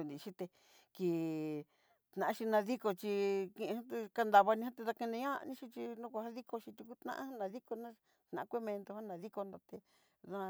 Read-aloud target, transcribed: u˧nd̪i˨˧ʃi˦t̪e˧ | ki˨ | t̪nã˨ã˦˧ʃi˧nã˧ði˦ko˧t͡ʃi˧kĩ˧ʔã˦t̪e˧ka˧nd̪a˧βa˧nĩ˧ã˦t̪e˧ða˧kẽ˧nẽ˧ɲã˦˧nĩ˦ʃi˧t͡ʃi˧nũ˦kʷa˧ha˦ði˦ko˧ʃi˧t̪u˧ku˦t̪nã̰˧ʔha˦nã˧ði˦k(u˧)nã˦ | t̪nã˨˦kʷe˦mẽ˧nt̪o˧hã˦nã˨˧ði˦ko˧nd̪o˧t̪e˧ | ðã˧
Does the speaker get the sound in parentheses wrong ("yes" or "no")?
yes